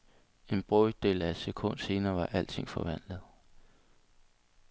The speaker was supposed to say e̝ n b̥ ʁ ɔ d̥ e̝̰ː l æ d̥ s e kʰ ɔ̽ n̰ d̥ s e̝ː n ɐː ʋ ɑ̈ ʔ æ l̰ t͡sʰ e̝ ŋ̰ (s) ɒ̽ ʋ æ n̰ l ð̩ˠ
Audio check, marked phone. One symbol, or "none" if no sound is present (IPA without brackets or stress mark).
f